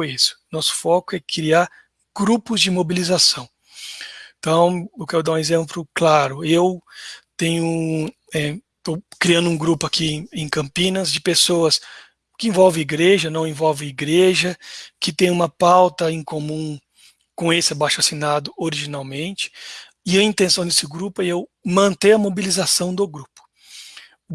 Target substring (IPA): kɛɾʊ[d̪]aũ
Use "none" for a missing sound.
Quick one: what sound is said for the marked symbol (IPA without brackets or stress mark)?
d̪